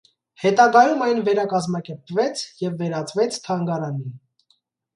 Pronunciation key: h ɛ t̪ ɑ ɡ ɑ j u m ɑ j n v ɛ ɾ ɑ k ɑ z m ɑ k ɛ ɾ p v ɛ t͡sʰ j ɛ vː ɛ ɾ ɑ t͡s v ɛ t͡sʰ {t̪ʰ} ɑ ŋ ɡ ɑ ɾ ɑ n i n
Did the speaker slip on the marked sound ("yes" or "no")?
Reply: no